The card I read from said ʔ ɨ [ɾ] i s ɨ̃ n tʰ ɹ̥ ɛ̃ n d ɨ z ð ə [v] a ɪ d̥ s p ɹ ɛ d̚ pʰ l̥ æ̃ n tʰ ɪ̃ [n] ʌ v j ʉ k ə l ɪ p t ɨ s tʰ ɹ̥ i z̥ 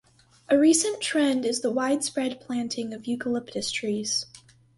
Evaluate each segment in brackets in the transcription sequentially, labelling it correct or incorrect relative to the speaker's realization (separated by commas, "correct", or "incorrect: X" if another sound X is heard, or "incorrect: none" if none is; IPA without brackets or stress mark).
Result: incorrect: ɹ, incorrect: w, incorrect: ŋ